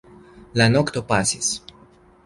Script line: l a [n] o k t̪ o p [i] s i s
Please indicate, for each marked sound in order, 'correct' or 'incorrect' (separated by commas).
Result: correct, incorrect